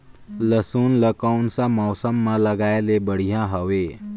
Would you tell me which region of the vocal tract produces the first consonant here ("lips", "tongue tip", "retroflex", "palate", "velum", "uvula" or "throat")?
tongue tip